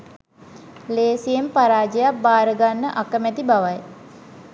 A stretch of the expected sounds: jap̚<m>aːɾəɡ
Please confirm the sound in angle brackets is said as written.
no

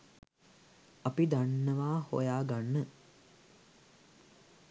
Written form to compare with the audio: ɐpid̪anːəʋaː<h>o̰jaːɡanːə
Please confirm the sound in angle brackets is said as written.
yes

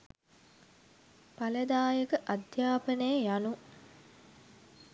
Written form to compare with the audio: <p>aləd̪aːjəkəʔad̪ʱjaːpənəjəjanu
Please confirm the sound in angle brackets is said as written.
yes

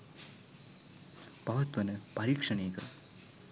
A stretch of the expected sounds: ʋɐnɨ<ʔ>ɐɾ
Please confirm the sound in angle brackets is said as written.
no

